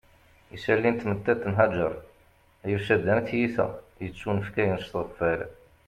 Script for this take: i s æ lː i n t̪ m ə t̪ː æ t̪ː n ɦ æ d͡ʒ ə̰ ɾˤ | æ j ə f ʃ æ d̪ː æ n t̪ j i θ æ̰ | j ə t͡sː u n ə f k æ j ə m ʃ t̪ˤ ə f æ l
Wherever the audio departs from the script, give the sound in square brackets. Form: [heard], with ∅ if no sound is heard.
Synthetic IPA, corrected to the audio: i s æ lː i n t̪ m ə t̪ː æ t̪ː n ɦ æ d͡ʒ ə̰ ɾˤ | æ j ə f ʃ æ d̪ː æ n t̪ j i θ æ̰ | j ə t͡sː u n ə f k æ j ə [n] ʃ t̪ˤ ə f æ l